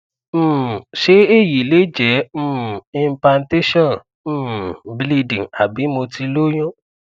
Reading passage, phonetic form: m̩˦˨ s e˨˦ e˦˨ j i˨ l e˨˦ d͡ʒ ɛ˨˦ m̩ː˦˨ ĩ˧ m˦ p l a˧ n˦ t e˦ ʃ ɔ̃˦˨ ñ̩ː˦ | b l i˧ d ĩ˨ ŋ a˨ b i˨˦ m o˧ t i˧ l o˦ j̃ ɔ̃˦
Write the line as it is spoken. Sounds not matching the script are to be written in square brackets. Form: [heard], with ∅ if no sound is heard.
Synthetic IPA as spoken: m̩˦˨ [ʃ] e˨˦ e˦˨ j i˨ l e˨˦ d͡ʒ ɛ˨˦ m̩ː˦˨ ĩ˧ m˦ p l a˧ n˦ t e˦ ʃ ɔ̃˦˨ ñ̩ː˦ | b l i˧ d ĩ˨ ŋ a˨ b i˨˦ m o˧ t i˧ l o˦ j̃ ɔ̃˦